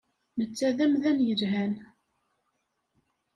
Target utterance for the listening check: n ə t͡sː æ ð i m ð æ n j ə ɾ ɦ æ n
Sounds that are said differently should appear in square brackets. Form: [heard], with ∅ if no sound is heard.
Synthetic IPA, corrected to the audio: n ə t͡sː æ ð [æ] m ð æ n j ə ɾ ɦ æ n